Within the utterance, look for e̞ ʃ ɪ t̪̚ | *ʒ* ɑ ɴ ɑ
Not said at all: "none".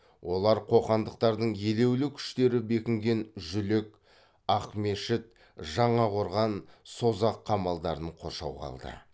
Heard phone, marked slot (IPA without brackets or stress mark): ʒ